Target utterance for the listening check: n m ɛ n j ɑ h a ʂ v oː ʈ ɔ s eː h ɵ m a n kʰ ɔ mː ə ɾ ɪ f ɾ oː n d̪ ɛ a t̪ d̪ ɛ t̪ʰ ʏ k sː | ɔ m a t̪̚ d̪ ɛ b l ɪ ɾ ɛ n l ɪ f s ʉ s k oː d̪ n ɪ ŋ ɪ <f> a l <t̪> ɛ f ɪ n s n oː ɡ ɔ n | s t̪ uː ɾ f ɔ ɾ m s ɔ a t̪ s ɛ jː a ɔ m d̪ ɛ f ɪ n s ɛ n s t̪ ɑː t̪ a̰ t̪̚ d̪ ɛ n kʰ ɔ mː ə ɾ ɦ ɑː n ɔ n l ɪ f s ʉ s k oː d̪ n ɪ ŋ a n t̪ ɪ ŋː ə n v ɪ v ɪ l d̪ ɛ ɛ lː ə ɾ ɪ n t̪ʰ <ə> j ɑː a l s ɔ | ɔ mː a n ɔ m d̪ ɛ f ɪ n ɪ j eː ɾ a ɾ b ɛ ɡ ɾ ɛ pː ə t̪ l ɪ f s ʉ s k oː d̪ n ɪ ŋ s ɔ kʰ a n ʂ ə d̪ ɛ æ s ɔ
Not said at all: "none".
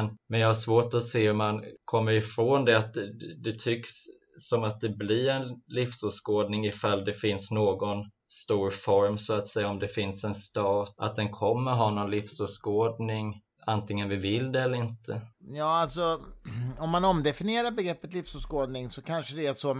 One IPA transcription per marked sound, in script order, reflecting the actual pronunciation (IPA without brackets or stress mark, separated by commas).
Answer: f, d̪, ə